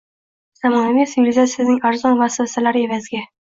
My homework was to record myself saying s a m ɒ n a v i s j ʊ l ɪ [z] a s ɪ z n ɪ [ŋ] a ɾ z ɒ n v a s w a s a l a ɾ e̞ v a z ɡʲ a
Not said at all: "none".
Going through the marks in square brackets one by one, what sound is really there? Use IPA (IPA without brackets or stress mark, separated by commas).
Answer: z, ŋ